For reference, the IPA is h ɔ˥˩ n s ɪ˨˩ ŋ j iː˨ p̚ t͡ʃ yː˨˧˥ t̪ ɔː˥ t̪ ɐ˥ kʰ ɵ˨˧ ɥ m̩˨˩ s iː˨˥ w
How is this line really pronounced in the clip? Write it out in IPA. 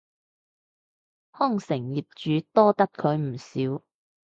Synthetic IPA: h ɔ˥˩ ŋ s ɪ˨˩ ŋ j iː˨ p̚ t͡ʃ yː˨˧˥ t̪ ɔː˥ t̪ ɐ˥ kʰ ɵ˨˧ ɥ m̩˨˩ s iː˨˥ w

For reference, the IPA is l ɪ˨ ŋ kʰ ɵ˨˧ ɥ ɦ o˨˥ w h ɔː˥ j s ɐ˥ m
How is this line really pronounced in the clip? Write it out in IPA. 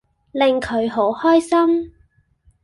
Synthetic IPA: l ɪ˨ ŋ kʰ ɵ˨˧ ɥ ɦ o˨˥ w h ɔː˥ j s ɐ˥ m

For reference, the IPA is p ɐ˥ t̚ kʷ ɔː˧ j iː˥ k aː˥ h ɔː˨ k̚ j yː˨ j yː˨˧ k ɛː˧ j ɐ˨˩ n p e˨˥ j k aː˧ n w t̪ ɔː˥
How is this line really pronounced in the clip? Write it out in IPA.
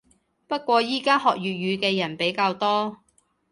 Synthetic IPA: p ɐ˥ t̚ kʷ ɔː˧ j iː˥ k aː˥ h ɔː˨ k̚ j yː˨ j yː˨˧ k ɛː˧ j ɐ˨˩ n p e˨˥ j k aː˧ w t̪ ɔː˥

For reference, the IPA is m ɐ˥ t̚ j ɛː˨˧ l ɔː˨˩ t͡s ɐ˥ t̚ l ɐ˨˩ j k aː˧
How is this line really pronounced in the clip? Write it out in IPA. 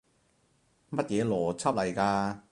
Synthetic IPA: m ɐ˥ t̚ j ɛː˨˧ l ɔː˨˩ t͡sʰ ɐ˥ p̚ l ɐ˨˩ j k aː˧

